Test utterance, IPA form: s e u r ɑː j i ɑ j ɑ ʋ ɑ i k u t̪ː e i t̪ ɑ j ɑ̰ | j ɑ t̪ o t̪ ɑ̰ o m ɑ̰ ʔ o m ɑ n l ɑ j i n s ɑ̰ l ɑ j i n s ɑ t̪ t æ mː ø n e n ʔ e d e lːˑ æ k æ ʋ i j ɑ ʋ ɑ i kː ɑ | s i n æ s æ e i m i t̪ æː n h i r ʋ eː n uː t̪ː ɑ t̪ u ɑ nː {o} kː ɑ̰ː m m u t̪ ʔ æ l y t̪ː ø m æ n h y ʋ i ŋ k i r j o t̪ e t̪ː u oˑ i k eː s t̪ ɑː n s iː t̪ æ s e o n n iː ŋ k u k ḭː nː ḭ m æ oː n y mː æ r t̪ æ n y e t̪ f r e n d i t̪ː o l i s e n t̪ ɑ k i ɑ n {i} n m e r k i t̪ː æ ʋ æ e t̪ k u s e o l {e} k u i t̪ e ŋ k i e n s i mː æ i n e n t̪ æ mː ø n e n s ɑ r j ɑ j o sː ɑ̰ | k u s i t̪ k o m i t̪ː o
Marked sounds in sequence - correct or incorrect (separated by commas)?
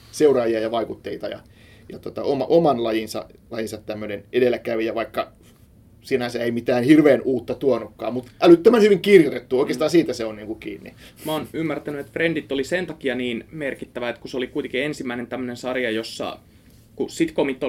incorrect, incorrect, incorrect